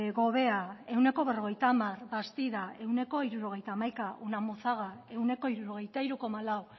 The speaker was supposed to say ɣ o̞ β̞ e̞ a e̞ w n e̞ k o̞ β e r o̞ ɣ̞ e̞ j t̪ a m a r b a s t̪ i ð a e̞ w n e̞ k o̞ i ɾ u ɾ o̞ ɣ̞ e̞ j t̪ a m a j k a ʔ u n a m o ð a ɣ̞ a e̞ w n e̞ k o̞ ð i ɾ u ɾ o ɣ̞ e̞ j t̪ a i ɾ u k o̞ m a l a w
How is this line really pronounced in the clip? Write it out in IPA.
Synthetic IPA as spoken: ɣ o̞ β̞ e̞ a e̞ w n e̞ k o̞ β e r o̞ ɣ̞ e̞ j t̪ a m a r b a s t̪ i ð a e̞ w n e̞ k o̞ i ɾ u ɾ o̞ ɣ̞ e̞ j t̪ a m a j k a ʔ u n a m o θ a ɣ̞ a e̞ w n e̞ k o̞ i ɾ u ɾ o ɣ̞ e̞ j t̪ a i ɾ u k o̞ m a l a w